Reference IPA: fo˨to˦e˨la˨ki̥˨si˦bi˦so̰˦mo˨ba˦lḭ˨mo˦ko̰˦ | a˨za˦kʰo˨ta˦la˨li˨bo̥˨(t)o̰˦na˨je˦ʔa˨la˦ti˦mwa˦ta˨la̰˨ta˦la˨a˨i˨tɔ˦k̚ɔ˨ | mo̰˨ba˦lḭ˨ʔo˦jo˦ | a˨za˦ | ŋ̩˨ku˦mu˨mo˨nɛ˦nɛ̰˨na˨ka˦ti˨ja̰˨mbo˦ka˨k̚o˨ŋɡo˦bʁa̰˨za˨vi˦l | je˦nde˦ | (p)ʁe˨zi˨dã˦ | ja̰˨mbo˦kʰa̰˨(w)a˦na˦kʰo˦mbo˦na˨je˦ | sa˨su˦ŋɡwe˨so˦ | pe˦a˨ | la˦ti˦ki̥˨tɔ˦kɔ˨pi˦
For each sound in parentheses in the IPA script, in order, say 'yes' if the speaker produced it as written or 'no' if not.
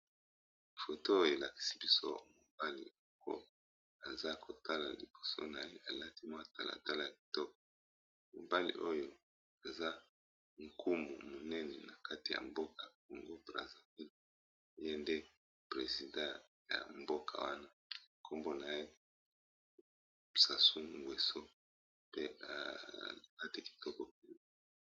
no, yes, yes

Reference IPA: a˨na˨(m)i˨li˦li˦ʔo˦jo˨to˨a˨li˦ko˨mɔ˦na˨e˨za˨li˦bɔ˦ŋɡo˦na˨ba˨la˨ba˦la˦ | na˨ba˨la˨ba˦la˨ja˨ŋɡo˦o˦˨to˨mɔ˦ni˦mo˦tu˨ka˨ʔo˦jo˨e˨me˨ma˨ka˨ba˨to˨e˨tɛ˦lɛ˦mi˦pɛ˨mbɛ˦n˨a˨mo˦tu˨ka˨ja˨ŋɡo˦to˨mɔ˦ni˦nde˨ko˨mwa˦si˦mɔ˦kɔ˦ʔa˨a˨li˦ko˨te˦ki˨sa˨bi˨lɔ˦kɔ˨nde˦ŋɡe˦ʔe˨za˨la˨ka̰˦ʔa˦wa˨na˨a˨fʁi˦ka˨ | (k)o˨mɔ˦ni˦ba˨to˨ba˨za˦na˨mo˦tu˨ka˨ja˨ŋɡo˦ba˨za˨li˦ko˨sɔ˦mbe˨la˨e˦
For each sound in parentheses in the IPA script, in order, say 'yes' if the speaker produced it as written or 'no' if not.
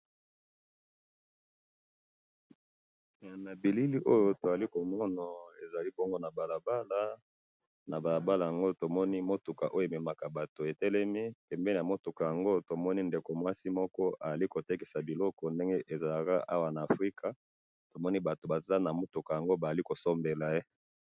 no, no

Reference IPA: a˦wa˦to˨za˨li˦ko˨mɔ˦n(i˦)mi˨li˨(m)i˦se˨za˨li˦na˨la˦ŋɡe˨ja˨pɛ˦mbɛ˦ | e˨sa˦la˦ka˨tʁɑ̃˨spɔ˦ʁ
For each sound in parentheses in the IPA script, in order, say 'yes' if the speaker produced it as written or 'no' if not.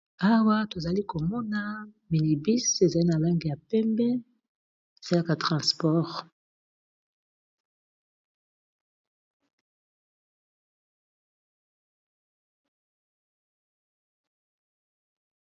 no, no

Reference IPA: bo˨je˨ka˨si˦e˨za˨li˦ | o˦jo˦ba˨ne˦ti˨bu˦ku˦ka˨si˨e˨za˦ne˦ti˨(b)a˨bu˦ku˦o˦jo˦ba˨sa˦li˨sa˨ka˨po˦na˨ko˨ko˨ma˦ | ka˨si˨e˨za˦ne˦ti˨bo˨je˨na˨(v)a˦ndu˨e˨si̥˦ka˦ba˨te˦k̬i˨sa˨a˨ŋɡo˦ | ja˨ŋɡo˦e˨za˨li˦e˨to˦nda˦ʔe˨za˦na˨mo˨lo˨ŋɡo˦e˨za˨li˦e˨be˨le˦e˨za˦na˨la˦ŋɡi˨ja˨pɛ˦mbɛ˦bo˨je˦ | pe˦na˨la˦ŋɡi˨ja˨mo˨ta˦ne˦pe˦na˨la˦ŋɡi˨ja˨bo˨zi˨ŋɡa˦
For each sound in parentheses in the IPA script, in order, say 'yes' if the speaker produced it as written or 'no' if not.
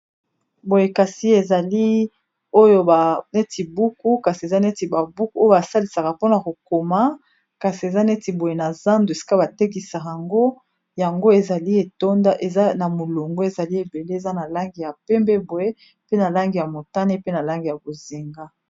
yes, no

